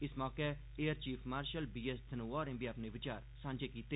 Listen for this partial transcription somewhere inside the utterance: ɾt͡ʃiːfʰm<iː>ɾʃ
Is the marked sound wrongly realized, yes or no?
yes